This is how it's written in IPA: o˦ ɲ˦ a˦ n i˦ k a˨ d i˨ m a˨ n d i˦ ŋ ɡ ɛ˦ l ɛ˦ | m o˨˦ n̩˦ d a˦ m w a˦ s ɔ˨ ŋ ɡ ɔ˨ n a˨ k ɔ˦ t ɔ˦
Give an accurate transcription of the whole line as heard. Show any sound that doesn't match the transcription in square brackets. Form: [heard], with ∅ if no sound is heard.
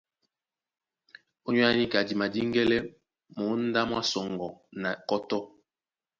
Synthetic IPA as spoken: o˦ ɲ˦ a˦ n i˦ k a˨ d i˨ m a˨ [∅] d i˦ ŋ ɡ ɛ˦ l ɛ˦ | m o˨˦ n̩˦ d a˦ m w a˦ s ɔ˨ ŋ ɡ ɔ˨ n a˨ k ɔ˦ t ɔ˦